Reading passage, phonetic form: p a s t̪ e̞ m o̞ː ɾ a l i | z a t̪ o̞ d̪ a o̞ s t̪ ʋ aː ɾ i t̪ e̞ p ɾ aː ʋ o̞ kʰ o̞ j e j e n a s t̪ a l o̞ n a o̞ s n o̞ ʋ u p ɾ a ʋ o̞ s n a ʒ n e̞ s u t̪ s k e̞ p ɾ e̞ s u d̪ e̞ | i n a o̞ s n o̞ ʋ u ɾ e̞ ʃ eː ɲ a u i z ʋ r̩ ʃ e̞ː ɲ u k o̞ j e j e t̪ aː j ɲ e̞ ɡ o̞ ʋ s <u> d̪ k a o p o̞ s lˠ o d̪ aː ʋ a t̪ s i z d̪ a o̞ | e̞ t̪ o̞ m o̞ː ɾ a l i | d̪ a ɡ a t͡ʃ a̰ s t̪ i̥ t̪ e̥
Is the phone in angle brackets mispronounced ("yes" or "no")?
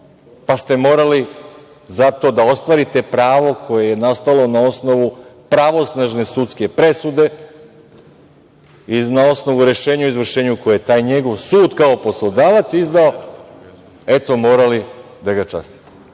yes